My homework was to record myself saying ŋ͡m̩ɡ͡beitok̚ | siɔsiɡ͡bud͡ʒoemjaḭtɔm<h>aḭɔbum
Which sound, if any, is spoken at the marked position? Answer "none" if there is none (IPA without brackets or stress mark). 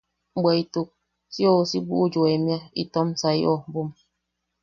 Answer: s